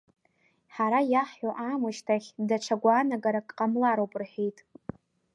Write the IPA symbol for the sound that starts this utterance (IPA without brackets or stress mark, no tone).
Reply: ħ